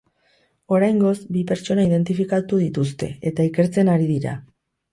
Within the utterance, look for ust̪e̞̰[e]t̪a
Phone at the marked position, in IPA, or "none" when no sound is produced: e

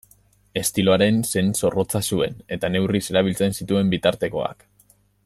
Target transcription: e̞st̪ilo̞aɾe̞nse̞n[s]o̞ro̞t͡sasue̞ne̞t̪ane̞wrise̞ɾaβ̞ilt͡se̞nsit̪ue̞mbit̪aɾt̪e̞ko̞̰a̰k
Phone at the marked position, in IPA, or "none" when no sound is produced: s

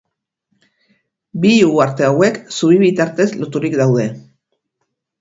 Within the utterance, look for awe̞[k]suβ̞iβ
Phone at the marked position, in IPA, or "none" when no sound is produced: k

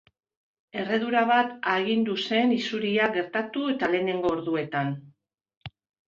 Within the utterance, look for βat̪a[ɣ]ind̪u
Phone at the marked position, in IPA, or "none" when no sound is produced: ɣ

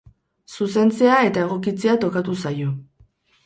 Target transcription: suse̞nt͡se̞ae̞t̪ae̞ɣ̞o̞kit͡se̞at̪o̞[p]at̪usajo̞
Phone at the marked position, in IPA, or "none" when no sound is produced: k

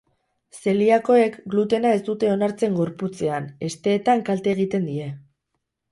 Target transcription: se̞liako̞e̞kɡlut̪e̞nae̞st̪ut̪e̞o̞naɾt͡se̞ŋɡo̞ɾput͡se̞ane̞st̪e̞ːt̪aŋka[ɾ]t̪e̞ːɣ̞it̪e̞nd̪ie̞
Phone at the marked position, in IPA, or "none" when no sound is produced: l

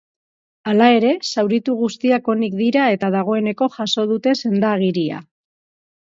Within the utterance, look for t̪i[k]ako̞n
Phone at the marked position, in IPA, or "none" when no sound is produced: none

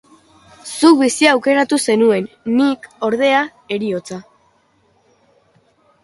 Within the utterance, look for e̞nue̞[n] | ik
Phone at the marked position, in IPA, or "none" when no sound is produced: nː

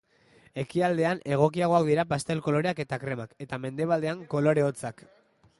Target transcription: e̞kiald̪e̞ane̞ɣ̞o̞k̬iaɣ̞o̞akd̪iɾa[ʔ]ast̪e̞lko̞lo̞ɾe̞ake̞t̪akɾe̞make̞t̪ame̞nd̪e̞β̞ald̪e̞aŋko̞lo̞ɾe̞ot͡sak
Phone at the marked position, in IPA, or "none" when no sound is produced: p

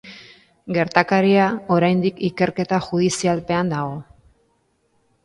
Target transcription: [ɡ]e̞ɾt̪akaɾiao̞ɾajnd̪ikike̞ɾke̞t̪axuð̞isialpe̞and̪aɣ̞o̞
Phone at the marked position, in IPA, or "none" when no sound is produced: ɡ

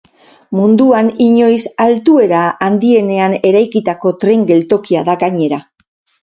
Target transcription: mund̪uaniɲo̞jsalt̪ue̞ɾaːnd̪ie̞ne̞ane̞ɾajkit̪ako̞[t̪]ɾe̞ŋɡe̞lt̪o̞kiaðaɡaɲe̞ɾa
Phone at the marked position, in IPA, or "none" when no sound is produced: t̪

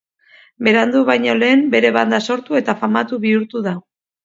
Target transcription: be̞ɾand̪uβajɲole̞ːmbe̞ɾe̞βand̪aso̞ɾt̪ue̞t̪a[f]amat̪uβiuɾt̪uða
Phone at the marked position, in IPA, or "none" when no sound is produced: f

